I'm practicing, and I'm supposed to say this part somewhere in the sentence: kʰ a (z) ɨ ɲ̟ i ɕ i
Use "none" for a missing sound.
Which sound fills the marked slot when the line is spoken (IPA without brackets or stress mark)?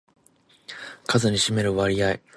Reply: z